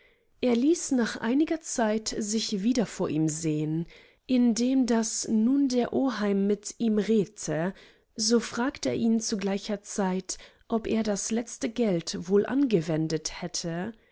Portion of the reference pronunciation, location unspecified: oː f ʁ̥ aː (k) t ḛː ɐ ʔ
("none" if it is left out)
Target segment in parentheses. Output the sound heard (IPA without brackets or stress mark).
k